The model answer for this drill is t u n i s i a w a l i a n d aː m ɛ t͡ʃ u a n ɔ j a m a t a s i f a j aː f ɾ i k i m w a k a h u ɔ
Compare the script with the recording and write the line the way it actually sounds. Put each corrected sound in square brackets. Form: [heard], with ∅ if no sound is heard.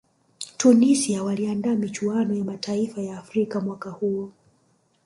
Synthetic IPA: t u n i s i a w a l i a n d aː m [i] t͡ʃ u a n ɔ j a m a t a [∅] i f a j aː f ɾ i k [a] m w a k a h u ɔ